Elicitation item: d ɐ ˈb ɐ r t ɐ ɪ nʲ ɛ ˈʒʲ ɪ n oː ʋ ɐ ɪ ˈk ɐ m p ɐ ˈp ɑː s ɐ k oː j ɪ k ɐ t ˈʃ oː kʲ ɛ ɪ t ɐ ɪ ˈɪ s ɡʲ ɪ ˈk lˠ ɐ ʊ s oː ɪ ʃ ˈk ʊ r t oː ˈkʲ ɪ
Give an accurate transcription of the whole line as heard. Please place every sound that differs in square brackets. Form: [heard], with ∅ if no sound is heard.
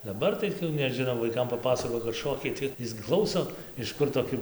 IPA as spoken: d ɐ ˈb ɐ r t ɐ ɪ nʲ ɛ ˈʒʲ ɪ n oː ʋ ɐ ɪ ˈk ɐ m p ɐ ˈp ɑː s ɐ k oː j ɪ k ɐ t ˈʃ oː kʲ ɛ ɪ t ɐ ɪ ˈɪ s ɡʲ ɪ ˈk lˠ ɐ ʊ s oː ɪ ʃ ˈk ʊ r t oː ˈkʲ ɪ

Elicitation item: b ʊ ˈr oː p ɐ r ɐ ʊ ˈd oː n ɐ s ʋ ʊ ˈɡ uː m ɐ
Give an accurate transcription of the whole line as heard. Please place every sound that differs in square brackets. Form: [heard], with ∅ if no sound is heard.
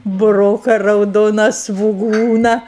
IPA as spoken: b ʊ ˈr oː [k] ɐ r ɐ ʊ ˈd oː n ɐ s ʋ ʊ ˈɡ uː [n] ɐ

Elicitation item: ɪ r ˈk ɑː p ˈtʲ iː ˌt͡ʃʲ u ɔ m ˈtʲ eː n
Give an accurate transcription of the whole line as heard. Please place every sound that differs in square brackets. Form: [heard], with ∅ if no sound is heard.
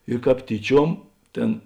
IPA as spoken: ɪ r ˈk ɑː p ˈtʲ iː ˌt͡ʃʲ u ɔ m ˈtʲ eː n

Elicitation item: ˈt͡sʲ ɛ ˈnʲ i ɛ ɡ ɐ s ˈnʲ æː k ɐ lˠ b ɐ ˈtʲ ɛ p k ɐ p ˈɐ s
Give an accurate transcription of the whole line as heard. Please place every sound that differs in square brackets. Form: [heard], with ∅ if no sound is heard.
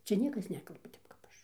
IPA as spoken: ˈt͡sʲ ɛ ˈnʲ i ɛ [k] ɐ s ˈnʲ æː k ɐ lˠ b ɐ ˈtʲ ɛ p k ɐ p ˈɐ [ʃ]

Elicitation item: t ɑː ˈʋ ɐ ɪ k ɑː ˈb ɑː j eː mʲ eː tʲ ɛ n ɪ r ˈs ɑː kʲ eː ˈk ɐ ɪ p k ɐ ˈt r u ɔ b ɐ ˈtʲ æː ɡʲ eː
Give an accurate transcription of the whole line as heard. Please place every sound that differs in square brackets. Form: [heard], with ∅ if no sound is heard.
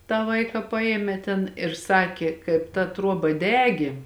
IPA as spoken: t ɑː ˈʋ ɐ ɪ k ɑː [ˈp] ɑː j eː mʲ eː tʲ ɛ n ɪ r ˈs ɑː kʲ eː ˈk ɐ ɪ p [t] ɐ ˈt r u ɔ b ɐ [ˈdʲ] æː ɡʲ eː

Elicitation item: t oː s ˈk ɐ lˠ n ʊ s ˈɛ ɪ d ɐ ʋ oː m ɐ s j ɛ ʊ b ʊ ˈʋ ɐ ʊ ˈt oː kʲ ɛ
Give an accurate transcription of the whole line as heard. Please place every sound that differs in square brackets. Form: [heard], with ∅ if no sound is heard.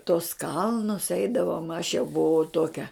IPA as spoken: t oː s ˈk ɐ lˠ n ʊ s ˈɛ ɪ d ɐ ʋ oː m ɐ [ʃ] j ɛ ʊ b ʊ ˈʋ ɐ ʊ ˈt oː kʲ ɛ

